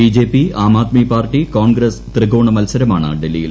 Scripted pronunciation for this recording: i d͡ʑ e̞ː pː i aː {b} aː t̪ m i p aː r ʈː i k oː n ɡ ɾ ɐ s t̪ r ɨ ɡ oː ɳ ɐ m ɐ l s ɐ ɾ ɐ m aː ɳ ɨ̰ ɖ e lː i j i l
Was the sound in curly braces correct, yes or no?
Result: no